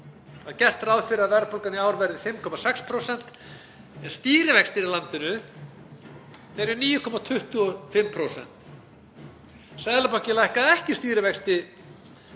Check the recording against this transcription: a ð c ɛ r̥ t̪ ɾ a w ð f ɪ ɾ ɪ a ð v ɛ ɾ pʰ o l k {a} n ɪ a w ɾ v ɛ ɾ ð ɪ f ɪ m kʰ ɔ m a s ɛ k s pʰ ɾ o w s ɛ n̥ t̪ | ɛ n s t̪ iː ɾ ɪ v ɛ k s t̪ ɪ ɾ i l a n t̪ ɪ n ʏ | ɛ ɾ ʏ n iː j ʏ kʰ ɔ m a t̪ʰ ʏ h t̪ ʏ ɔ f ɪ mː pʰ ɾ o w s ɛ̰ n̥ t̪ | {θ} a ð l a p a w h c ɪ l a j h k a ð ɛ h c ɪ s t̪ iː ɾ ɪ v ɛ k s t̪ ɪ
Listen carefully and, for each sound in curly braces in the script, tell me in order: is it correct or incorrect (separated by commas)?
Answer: correct, incorrect